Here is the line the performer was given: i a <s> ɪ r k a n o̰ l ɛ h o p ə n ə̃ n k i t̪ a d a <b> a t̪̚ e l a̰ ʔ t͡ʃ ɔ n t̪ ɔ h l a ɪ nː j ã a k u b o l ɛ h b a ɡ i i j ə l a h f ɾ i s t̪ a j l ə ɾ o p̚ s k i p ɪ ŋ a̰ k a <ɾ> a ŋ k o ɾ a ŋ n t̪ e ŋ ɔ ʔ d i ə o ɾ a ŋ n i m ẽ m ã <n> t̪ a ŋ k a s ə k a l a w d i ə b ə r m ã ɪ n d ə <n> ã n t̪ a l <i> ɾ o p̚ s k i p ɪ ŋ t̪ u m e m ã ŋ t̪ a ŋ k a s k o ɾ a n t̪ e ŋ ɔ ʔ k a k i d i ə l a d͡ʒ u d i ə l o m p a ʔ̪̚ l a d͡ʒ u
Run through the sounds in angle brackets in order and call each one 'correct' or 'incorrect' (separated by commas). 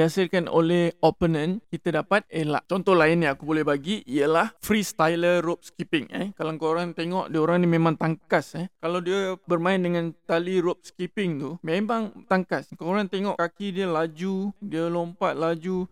correct, incorrect, incorrect, incorrect, incorrect, correct